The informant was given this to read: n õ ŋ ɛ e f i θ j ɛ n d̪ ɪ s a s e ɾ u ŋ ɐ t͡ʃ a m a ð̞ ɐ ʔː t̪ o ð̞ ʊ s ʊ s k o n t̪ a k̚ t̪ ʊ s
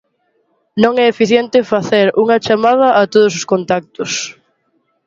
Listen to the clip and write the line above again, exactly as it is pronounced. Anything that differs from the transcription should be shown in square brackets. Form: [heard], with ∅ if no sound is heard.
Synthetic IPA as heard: n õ ŋ ɛ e f i θ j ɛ n [t̪] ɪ [f] a [θ] e ɾ u ŋ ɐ t͡ʃ a m a ð̞ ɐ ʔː t̪ o ð̞ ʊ s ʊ s k o n t̪ a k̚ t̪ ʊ s